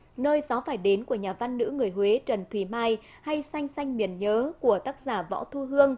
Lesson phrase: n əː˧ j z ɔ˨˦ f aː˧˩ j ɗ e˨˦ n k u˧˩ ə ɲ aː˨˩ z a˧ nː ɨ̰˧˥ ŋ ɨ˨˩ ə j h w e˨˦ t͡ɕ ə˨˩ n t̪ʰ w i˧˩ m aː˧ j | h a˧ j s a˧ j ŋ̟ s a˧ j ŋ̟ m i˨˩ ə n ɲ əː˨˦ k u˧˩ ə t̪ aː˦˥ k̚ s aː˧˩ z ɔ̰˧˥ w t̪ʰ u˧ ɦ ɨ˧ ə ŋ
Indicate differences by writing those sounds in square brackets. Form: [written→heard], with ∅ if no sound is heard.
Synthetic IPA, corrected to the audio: n əː˧ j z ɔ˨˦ f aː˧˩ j ɗ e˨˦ n k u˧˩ ə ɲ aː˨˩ [z→v] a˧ nː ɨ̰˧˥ ŋ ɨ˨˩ ə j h w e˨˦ t͡ɕ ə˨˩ n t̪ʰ w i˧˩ m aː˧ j | h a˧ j s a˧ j ŋ̟ s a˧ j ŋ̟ m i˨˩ ə n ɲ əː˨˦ k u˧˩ ə t̪ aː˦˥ k̚ [s→z] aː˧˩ [z→v] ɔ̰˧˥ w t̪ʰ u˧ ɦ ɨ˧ ə ŋ